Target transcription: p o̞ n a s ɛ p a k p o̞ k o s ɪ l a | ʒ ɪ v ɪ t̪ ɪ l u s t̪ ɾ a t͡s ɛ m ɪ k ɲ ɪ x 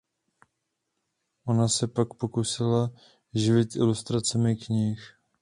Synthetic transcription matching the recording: ʔ o̞ n a s ɛ p a k p o̞ k u s ɪ l a | ʒ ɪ v ɪ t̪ ɪ l u s t̪ ɾ a t͡s ɛ m ɪ k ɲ ɪ x